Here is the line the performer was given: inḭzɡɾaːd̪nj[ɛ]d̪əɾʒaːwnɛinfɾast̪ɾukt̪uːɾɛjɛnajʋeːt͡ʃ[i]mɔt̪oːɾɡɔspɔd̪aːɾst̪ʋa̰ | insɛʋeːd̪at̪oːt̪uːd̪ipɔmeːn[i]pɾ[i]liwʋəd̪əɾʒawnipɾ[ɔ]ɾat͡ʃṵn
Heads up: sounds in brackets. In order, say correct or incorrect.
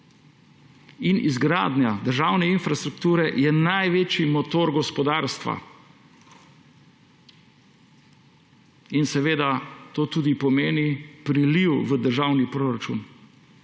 incorrect: a, correct, correct, correct, incorrect: o

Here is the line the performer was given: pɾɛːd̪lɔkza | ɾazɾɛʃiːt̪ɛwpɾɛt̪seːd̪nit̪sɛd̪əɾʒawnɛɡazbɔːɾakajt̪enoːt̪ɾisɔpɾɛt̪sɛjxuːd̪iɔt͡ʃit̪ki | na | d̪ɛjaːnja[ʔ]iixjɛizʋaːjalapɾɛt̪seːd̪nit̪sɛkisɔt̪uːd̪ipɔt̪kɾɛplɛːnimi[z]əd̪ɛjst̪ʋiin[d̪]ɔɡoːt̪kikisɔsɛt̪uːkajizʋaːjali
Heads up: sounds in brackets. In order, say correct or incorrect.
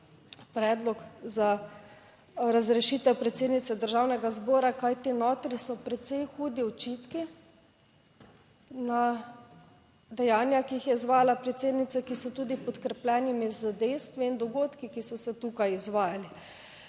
incorrect: k, correct, correct

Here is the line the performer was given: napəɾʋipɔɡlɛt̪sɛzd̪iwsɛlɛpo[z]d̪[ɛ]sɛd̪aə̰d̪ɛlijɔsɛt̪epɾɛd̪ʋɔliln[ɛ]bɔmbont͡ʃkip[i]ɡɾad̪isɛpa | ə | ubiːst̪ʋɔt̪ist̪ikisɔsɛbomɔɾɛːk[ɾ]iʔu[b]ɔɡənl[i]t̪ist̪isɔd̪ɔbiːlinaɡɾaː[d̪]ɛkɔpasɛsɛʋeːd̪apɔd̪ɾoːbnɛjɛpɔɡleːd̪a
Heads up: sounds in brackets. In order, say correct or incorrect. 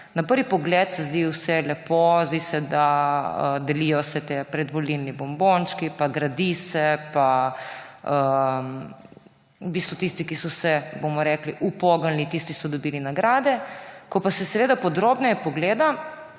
correct, incorrect: i, incorrect: i, incorrect: a, incorrect: l, incorrect: p, correct, correct

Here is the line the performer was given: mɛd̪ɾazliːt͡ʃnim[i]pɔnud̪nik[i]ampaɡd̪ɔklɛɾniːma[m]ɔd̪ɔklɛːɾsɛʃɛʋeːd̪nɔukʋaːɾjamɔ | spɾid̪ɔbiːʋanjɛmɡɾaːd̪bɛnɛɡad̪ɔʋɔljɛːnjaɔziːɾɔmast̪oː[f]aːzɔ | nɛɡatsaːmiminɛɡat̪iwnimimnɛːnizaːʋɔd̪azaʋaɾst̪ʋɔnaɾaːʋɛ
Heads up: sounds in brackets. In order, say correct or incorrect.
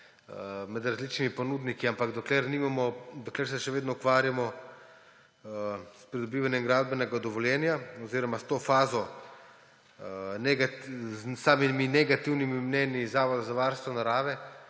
correct, correct, correct, correct

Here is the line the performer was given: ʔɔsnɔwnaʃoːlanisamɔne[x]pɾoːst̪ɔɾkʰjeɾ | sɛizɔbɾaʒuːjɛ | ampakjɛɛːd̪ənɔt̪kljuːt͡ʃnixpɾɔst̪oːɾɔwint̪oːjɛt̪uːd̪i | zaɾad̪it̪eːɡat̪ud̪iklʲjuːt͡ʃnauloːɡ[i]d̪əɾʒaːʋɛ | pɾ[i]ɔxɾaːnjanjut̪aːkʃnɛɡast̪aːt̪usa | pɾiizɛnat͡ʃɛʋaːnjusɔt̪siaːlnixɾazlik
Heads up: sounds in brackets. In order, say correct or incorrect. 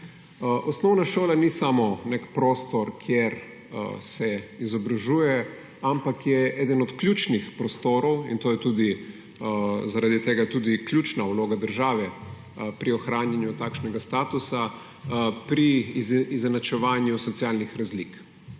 incorrect: k, incorrect: a, correct

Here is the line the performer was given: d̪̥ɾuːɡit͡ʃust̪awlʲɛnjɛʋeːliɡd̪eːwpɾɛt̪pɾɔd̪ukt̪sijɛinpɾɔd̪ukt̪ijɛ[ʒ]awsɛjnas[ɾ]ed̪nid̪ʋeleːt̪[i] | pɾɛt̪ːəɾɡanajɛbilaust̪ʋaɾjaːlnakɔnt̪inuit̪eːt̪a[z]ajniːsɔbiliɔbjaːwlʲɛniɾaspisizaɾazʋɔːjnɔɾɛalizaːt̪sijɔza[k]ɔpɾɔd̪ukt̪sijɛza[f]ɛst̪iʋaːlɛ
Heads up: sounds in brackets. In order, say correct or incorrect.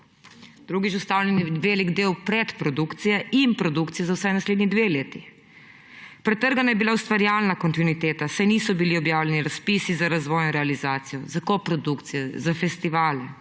incorrect: z, incorrect: l, correct, incorrect: s, correct, correct

